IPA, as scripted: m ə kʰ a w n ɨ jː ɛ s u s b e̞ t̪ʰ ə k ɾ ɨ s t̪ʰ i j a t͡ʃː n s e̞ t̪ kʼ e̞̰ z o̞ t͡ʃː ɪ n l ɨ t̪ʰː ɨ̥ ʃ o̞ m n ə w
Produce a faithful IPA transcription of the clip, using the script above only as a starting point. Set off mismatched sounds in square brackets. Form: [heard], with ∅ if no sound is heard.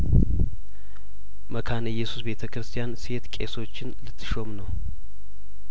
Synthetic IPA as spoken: m ə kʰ a [∅] n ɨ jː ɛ s u s b e̞ t̪ʰ ə k ɾ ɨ s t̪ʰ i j a [∅] n s e̞ t̪ kʼ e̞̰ [s] o̞ t͡ʃː ɪ n l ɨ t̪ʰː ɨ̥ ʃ o̞ m n ə w

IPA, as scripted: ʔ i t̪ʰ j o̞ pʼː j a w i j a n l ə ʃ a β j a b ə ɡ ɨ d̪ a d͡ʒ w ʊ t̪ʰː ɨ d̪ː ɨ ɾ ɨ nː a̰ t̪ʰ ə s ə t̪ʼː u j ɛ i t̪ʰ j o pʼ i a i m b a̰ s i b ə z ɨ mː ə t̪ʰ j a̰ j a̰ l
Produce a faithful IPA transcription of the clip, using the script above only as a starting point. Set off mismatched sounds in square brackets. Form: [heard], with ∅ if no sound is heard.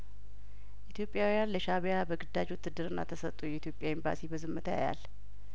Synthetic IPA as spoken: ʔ i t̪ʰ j o̞ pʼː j a w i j a n l ə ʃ a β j a b ə ɡ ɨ d̪ a d͡ʒ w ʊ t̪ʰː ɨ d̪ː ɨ ɾ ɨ nː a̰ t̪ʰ ə s ə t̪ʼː u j ɛ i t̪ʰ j o pʼ [j] a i m b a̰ s i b ə z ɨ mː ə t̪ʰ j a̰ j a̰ l

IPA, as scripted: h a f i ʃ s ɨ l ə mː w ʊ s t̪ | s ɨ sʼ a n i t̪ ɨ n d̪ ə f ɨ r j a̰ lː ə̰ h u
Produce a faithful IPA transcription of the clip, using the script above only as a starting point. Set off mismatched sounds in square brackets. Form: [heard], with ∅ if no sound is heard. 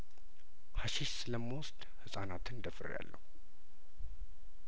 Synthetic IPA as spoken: h a [ʃ] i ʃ s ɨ l ə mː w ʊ s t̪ | [h] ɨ sʼ a n [a] t̪ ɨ n d̪ ə f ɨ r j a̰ lː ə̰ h u

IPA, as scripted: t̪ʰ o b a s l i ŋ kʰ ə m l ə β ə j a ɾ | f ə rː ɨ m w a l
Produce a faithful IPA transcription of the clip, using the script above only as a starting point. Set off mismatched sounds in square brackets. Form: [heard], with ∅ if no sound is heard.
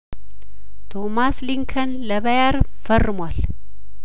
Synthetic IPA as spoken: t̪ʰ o [m] a s l i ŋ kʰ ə [n] l ə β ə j a ɾ | f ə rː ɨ m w a l

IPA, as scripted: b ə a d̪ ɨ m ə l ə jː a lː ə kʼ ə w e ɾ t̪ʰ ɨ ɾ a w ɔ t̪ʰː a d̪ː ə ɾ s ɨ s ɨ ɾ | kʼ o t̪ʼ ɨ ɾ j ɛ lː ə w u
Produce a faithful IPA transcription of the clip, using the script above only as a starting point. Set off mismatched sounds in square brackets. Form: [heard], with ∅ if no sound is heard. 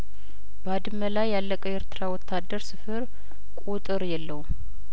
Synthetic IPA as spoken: b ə a d̪ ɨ m ə l [a] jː a lː ə kʼ ə w e ɾ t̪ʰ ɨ ɾ a w ɔ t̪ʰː a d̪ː ə ɾ s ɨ [f] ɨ ɾ | kʼ [u] t̪ʼ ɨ ɾ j ɛ lː ə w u

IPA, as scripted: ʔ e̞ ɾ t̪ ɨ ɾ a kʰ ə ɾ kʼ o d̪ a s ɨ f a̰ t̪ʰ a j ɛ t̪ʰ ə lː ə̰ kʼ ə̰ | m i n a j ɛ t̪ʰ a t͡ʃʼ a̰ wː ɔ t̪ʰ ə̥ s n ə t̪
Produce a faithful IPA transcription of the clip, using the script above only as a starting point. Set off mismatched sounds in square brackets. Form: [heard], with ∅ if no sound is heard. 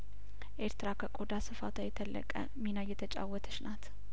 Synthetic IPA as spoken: ʔ e̞ ɾ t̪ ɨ ɾ a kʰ ə [∅] kʼ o d̪ a s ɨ f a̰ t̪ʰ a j ɛ t̪ʰ ə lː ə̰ kʼ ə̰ | m i n a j ɛ t̪ʰ [ə] t͡ʃʼ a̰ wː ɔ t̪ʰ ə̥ [ʃ] n [a] t̪

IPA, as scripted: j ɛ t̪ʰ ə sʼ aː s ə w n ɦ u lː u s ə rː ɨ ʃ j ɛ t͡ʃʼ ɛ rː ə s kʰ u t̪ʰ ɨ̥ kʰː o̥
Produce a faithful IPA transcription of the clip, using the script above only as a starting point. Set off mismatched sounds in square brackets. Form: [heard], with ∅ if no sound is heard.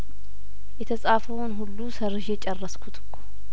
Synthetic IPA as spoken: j ɛ t̪ʰ ə sʼ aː [f] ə w n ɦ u lː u s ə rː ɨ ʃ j ɛ t͡ʃʼ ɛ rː ə s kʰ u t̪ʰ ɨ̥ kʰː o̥

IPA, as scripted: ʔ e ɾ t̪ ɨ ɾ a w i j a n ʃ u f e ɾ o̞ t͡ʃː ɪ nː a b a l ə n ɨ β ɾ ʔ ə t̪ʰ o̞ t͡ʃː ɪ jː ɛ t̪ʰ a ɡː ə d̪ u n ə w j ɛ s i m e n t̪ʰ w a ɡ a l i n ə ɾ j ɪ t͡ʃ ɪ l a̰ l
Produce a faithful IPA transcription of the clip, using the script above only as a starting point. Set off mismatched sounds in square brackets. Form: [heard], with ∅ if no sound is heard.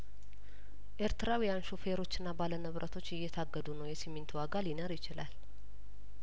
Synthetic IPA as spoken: ʔ e ɾ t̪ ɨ ɾ a w i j a n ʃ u f e ɾ o̞ t͡ʃː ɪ nː a b a l ə n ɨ β ɾ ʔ ə t̪ʰ o̞ t͡ʃː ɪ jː ɛ t̪ʰ a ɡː ə d̪ u n ə w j ɛ s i m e n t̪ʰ w a ɡ a l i n ə ɾ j ɪ t͡ʃ ɪ l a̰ l

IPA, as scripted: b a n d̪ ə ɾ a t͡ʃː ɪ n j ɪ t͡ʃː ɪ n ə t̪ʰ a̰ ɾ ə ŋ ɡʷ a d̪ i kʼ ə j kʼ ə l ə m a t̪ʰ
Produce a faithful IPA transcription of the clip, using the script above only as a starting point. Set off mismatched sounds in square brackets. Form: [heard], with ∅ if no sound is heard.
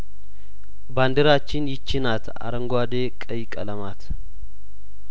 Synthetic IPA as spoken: b a n d̪ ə ɾ a t͡ʃː ɪ n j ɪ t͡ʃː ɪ n [a] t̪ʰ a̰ ɾ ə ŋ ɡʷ a d̪ [e] kʼ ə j kʼ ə l ə m a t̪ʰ

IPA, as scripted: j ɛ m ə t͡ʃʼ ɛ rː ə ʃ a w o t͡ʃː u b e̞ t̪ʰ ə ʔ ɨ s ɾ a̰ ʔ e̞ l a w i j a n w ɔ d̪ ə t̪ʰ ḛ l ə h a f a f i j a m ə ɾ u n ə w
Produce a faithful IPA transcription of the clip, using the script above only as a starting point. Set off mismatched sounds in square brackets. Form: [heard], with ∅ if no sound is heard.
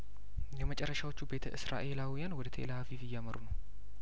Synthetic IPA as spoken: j ɛ m ə t͡ʃʼ ɛ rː ə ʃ a w o t͡ʃː u b e̞ t̪ʰ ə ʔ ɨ s ɾ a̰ ʔ e̞ l a w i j a n w ɔ d̪ ə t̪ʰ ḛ l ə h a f [i] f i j a m ə ɾ u n ə w

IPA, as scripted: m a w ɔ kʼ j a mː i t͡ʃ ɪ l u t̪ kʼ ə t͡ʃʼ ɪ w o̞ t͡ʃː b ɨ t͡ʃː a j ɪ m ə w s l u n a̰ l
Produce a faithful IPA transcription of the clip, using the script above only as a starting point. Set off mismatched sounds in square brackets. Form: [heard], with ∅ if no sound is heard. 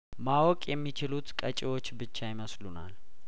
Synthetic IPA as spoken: m a w ɔ kʼ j [ɛ] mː i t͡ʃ ɪ l u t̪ kʼ ə t͡ʃʼ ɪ w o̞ t͡ʃː b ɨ t͡ʃː a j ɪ m ə [∅] s l u n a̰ l

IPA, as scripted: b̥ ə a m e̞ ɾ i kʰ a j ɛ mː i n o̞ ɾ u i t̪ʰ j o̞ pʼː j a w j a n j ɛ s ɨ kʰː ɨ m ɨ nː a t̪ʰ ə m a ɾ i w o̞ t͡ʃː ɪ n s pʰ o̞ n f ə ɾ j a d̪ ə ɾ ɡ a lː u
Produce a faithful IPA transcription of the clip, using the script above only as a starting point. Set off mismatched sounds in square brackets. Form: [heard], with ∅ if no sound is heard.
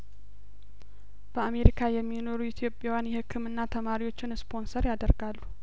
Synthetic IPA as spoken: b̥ ə a m e̞ ɾ i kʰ a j ɛ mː i n o̞ ɾ u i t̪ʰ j o̞ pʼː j a w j a n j ɛ [h] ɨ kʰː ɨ m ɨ nː a t̪ʰ ə m a ɾ i w o̞ t͡ʃː ɪ n s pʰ o̞ n [s] ə ɾ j a d̪ ə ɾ ɡ a lː u

